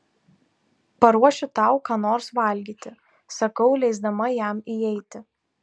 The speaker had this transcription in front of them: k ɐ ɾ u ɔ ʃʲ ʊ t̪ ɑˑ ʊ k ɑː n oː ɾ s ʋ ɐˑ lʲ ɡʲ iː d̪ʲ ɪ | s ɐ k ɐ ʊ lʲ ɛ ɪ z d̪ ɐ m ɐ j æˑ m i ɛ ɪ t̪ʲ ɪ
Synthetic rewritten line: p ɐ ɾ u ɔ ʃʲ ʊ t̪ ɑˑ ʊ k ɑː n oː ɾ s ʋ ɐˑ lʲ ɡʲ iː t̪ʲ ɪ | s ɐ k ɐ ʊ lʲ ɛ ɪ z d̪ ɐ m ɐ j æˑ m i ɛ ɪ t̪ʲ ɪ